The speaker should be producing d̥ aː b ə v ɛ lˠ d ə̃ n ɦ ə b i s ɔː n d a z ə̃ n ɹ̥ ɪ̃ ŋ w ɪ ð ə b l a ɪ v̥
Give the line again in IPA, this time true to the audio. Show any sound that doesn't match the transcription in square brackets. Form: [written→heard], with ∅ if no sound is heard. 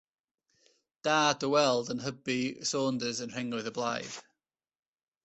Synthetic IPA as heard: d̥ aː [b→d] ə [v→w] ɛ lˠ d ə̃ n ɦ ə b i s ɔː n d [a→ə] z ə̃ n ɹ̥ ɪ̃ ŋ w ɪ ð ə b l a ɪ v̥

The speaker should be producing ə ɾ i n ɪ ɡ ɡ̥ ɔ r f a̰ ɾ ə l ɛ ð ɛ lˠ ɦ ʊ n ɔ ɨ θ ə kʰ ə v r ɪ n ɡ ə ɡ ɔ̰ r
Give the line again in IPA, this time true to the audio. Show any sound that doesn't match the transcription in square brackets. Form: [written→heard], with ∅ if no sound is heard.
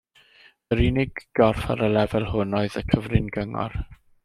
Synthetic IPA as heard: ə ɾ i n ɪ ɡ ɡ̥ ɔ r f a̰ ɾ ə l ɛ [ð→v] ɛ lˠ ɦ ʊ n ɔ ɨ [θ→ð] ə kʰ ə v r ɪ n ɡ ə [ɡ→ŋ] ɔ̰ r

